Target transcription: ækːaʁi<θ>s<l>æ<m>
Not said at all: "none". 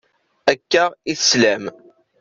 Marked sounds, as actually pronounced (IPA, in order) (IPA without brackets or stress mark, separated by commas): θ, l, m